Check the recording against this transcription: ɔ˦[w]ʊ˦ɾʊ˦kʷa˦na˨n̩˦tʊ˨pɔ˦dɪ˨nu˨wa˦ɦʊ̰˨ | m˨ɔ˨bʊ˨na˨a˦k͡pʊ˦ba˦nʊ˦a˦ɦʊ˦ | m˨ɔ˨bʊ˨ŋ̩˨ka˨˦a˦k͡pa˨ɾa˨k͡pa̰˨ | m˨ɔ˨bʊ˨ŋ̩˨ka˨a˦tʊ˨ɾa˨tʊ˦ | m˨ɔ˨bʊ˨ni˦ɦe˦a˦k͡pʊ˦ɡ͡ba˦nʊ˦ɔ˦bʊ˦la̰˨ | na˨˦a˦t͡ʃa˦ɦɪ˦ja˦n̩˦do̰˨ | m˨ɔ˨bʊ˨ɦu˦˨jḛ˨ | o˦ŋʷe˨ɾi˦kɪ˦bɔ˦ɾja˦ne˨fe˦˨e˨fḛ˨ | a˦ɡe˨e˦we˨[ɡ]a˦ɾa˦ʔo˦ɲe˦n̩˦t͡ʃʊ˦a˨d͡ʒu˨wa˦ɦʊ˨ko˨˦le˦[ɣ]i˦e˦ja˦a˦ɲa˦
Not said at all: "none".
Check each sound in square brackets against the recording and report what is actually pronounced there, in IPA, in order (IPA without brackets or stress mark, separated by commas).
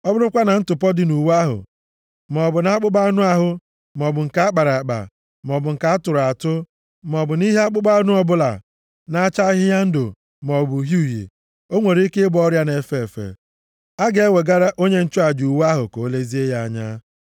b, ɡ, z